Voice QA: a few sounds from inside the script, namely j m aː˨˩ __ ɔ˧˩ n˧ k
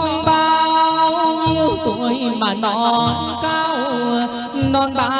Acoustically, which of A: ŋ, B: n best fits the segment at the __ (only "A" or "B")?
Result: B